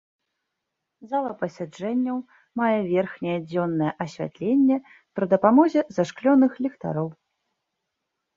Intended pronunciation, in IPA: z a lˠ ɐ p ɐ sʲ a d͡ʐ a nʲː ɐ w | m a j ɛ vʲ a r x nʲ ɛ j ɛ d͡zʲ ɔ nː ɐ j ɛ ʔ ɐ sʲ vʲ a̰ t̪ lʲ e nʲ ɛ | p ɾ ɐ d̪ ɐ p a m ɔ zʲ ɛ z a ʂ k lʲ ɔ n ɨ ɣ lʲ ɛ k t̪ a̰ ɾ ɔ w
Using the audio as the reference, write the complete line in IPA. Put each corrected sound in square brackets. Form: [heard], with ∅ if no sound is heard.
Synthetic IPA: z a lˠ ɐ p ɐ sʲ a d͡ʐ [ɛ] nʲː ɐ w | m a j ɛ vʲ [ɛ] r x nʲ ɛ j ɛ d͡zʲ ɔ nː ɐ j ɛ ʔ ɐ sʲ vʲ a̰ t̪ lʲ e [nʲː] ɛ | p ɾ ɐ d̪ ɐ p a m ɔ zʲ ɛ z a ʂ k lʲ ɔ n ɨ [x] lʲ ɛ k t̪ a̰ ɾ ɔ w